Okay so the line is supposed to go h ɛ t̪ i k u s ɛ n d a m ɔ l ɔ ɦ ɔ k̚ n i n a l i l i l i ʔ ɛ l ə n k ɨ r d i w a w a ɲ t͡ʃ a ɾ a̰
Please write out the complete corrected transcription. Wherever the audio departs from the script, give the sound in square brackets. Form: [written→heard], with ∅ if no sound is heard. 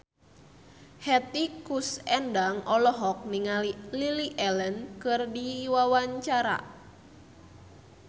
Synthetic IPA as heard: h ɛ t̪ i k u s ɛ n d a [m→ŋ] ɔ l ɔ ɦ ɔ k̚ n i [n→ŋ] a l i l i l i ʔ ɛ l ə n k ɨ r d i w a w a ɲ t͡ʃ a ɾ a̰